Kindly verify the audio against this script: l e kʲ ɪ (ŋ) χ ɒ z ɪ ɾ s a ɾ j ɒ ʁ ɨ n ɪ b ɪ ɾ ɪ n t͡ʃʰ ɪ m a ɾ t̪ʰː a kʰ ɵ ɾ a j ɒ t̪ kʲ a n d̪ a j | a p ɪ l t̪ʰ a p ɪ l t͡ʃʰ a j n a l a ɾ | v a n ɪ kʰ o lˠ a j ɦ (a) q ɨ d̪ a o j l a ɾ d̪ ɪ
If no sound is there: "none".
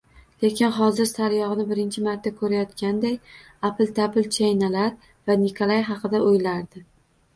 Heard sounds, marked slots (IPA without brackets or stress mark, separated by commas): n, ɑ